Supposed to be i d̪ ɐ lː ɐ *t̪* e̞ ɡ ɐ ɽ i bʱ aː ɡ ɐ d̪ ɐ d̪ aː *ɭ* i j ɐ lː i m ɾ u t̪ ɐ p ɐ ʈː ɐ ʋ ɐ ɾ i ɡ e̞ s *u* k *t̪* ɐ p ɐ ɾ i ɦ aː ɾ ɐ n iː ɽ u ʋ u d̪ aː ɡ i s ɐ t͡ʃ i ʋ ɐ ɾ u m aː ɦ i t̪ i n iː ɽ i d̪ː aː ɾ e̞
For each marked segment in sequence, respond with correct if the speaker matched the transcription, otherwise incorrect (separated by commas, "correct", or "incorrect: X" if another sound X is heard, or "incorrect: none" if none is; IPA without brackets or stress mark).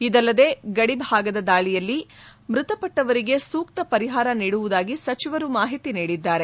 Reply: incorrect: d̪, correct, incorrect: uː, correct